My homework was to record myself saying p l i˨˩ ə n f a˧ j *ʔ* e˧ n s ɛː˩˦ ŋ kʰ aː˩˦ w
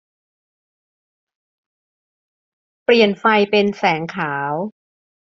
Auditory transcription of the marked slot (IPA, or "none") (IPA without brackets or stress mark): p